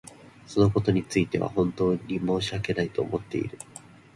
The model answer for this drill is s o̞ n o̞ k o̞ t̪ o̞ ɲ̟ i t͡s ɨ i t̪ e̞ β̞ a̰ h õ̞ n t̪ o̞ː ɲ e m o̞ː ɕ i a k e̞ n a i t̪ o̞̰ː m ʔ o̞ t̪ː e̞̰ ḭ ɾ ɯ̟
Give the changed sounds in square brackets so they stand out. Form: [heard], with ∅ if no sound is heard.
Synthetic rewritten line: s o̞ n o̞ k o̞ t̪ o̞ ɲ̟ i t͡s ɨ i t̪ e̞ β̞ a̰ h õ̞ n t̪ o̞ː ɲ [i] m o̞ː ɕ i a k e̞ n a i t̪ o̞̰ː m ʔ o̞ t̪ː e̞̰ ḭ ɾ ɯ̟